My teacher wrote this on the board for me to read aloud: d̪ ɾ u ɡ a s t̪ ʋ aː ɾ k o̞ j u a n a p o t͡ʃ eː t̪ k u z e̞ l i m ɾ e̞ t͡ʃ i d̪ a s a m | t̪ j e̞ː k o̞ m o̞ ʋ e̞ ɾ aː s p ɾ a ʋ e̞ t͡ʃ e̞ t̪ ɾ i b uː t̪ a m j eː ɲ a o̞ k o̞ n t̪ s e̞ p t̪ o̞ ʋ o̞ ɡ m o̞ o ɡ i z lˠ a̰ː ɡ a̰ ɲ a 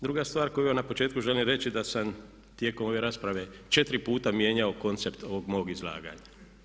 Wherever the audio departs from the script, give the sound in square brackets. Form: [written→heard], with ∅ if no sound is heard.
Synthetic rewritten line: d̪ ɾ u ɡ a s t̪ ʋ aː ɾ k o̞ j u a n a p o t͡ʃ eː t̪ k u [z→ʒ] e̞ l i m ɾ e̞ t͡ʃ i d̪ a s a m | t̪ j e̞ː k o̞ m o̞ ʋ e̞ ɾ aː s p ɾ a ʋ e̞ t͡ʃ e̞ t̪ ɾ i [b→p] uː t̪ a m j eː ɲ a o̞ k o̞ n t̪ s e̞ p t̪ o̞ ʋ o̞ ɡ m o̞ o ɡ i z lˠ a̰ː ɡ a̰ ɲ a

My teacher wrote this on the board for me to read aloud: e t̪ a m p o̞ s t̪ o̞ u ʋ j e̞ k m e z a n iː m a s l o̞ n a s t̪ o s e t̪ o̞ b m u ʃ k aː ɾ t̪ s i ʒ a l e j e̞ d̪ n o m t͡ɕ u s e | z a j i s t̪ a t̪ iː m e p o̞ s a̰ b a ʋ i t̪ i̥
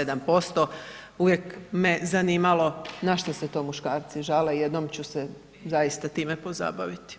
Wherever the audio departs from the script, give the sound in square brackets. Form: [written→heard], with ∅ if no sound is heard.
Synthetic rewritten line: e [t̪→d̪] a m p o̞ s t̪ o̞ u ʋ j e̞ k m e z a n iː m a [s→∅] l o̞ n a [s→ʃ] t̪ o s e t̪ o̞ [b→∅] m u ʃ k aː ɾ t̪ s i ʒ a l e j e̞ d̪ n o m t͡ɕ u s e | z a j i s t̪ a t̪ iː m e p o̞ [s→z] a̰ b a ʋ i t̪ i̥

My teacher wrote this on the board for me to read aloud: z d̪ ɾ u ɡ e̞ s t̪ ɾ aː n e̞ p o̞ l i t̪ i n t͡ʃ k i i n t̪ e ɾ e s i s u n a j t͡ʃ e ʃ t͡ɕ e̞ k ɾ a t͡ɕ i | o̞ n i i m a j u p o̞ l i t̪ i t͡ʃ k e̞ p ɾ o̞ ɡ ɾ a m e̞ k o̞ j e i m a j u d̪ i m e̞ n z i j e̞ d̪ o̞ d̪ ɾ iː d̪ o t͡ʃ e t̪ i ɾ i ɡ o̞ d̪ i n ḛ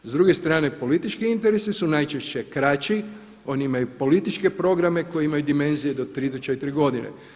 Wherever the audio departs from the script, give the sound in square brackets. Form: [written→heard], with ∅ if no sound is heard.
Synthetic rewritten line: z d̪ ɾ u ɡ e̞ s t̪ ɾ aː n e̞ p o̞ l i t̪ i [n→∅] t͡ʃ k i i n t̪ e ɾ e s i s u n a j t͡ʃ e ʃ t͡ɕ e̞ k ɾ a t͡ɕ i | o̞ n i i m a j u p o̞ l i t̪ i t͡ʃ k e̞ p ɾ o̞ ɡ ɾ a m e̞ k o̞ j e i m a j u d̪ i m e̞ n z i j e̞ d̪ o̞ [d̪→t̪] ɾ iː d̪ o t͡ʃ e t̪ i ɾ i ɡ o̞ d̪ i n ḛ

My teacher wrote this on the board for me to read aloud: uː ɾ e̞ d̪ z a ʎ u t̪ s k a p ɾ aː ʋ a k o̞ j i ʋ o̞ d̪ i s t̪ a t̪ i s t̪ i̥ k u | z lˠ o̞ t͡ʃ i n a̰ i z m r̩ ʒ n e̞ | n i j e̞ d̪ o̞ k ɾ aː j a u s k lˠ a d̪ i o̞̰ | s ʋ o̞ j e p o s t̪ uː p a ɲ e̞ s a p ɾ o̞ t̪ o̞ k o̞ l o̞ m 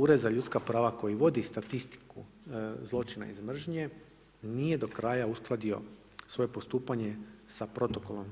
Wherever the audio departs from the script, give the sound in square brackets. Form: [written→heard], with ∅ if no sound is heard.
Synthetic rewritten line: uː ɾ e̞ d̪ z a ʎ u t̪ s k a p ɾ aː ʋ a k o̞ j i ʋ o̞ d̪ i s t̪ a t̪ i s t̪ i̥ k u | z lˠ o̞ t͡ʃ i n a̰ i z m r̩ ʒ [n→ɲ] e̞ | n i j e̞ d̪ o̞ k ɾ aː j a u s k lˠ a d̪ i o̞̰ | s ʋ o̞ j e p o s t̪ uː p a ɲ e̞ s a p ɾ o̞ t̪ o̞ k o̞ l o̞ m

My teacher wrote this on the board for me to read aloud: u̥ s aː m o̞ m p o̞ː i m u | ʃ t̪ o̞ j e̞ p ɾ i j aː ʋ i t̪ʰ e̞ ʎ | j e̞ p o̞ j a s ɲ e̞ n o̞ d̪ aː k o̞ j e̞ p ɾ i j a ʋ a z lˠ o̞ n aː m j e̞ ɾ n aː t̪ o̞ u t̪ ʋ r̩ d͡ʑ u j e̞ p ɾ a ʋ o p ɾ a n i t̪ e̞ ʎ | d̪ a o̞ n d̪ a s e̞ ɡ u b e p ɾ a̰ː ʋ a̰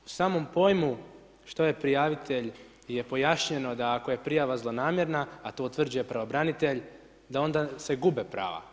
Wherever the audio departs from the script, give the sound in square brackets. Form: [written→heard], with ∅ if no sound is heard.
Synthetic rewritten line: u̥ s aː m o̞ m p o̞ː [i→j] m u | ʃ t̪ o̞ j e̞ p ɾ i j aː ʋ i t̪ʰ e̞ ʎ | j e̞ p o̞ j a [s→ʃ] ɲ e̞ n o̞ d̪ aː k o̞ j e̞ p ɾ i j a ʋ a z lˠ o̞ n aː m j e̞ ɾ n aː t̪ o̞ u t̪ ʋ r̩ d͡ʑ u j e̞ p ɾ a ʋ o [p→b] ɾ a n i t̪ e̞ ʎ | d̪ a o̞ n d̪ a s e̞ ɡ u b e p ɾ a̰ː ʋ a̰

